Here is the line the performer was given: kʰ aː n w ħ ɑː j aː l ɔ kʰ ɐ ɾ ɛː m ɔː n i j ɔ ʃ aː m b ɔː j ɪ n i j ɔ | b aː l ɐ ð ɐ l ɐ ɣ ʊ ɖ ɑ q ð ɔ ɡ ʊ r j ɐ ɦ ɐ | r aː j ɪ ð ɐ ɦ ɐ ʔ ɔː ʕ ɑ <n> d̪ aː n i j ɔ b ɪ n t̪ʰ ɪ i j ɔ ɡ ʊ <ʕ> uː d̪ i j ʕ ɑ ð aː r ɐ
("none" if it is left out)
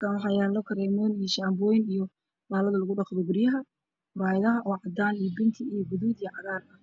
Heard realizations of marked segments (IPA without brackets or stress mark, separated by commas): none, ð